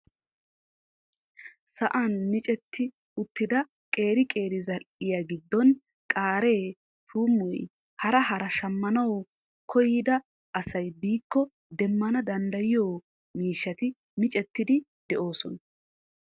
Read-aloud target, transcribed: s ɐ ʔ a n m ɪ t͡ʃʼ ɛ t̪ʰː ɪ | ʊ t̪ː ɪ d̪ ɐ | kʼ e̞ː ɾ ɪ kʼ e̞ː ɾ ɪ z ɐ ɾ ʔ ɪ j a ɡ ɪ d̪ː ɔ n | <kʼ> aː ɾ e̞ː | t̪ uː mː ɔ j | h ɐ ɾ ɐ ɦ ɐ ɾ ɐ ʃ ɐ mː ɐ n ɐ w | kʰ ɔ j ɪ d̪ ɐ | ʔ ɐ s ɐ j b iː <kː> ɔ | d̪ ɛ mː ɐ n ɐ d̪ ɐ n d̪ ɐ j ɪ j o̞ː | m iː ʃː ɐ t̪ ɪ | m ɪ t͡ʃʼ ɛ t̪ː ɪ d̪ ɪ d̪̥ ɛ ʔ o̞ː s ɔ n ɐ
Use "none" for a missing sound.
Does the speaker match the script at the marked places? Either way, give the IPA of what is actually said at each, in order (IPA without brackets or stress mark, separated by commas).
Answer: kʼ, kː